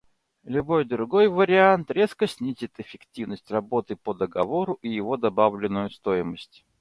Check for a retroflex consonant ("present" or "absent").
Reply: absent